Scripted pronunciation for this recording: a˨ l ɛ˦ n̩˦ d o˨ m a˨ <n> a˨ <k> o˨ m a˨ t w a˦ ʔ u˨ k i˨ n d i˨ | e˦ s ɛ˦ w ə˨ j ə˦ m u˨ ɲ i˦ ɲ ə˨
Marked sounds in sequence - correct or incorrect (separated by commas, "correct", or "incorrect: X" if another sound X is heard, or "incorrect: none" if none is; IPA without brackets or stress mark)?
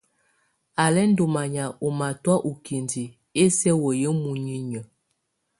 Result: incorrect: ɲ, incorrect: none